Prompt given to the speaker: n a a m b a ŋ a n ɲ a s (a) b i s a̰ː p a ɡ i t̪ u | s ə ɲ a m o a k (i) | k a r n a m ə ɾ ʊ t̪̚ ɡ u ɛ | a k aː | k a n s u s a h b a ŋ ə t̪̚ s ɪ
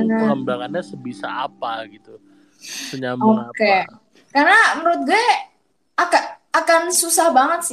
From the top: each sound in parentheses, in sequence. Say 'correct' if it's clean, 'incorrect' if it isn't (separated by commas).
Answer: incorrect, incorrect